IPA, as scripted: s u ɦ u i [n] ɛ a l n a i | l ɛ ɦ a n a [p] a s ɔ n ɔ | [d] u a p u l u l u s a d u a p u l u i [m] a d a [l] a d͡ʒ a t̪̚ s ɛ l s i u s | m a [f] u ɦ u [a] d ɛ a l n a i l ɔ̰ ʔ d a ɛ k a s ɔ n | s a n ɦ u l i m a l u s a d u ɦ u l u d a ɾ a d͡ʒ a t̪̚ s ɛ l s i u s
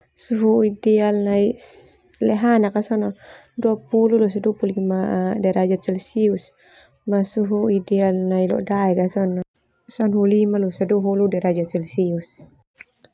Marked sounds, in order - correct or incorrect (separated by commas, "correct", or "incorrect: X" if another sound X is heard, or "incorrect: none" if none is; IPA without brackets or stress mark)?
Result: incorrect: d, incorrect: k, correct, correct, incorrect: ɾ, incorrect: s, incorrect: i